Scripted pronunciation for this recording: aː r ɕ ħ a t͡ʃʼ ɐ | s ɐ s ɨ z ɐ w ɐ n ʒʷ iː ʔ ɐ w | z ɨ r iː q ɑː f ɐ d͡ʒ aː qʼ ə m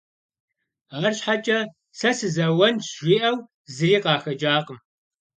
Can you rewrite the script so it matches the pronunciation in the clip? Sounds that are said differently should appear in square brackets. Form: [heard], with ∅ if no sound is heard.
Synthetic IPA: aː r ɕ ħ a t͡ʃʼ ɐ | s ɐ s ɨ z ɐ w ɐ n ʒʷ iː ʔ ɐ w | z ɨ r iː q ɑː [x] ɐ d͡ʒ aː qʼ ə m